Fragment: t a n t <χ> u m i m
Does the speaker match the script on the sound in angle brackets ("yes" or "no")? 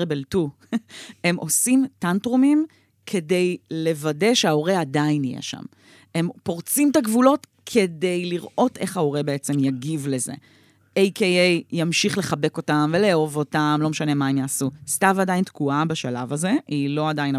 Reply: no